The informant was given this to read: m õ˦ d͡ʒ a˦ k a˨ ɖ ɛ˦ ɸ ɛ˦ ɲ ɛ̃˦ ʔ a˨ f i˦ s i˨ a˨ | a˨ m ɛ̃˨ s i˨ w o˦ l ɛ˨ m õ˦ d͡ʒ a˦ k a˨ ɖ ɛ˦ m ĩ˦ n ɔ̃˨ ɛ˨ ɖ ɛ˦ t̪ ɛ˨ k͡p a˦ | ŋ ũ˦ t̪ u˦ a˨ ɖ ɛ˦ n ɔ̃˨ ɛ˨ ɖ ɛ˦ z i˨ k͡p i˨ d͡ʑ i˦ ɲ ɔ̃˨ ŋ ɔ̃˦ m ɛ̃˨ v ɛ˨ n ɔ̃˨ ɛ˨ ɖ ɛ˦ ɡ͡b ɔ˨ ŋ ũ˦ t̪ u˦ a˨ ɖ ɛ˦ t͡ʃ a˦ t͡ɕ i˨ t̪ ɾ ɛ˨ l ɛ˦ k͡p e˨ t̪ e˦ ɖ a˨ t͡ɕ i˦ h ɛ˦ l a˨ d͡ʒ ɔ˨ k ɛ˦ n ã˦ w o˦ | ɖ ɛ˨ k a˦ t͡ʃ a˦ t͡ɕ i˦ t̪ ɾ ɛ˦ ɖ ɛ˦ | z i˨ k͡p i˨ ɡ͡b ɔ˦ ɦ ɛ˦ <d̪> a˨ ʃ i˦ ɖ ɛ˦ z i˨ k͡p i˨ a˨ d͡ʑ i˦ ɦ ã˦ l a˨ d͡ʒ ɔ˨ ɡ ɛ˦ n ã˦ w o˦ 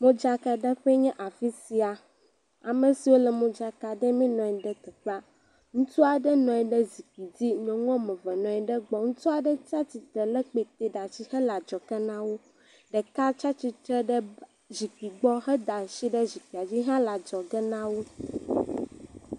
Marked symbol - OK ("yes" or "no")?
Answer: yes